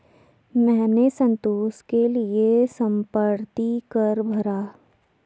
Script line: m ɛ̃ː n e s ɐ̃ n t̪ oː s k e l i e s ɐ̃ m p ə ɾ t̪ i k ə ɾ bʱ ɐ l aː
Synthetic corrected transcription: m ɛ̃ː n e s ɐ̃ n t̪ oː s k e l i e s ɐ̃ m p ə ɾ t̪ i k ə ɾ bʱ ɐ ɾ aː